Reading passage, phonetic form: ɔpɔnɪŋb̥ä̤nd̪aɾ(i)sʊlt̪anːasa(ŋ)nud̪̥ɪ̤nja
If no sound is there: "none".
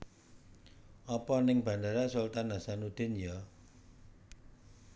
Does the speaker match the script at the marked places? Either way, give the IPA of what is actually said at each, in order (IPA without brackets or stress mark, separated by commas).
a, none